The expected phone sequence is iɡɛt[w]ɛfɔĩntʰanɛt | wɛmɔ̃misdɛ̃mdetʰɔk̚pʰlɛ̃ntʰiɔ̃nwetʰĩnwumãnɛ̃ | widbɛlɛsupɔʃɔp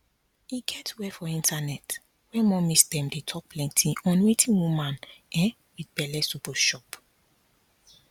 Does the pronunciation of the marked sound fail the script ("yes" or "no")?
no